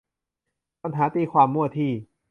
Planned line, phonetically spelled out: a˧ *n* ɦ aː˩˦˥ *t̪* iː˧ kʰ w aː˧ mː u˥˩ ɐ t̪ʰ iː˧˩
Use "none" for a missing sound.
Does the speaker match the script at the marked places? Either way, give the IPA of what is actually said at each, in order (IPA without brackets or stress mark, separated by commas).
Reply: n, t̪